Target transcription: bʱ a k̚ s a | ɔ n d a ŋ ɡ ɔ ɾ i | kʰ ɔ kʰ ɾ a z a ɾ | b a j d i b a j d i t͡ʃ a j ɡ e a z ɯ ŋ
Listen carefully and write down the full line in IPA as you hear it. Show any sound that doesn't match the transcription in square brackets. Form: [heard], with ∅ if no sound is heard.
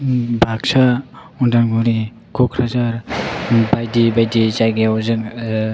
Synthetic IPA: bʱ a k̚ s a | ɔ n d a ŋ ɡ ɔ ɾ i | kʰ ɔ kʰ ɾ a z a ɾ | b a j d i b a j d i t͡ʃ a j ɡ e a z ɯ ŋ